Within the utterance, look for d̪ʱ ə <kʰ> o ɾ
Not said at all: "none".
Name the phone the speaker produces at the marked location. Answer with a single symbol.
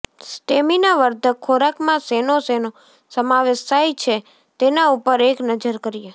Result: kʰ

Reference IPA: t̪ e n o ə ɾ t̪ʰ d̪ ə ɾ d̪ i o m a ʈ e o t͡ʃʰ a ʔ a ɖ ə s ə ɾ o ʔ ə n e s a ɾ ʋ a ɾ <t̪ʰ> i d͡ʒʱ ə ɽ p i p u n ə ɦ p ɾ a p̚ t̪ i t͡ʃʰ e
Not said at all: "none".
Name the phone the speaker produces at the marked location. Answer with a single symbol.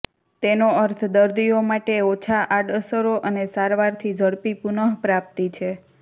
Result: t̪ʰ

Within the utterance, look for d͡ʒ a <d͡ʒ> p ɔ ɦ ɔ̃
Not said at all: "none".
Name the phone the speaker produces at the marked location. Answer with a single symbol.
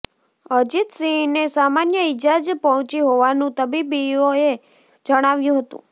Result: d͡ʒ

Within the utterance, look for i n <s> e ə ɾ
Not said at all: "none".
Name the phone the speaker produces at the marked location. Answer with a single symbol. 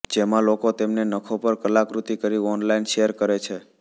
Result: ʃ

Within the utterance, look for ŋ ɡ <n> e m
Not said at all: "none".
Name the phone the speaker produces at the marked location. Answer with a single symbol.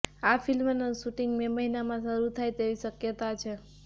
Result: m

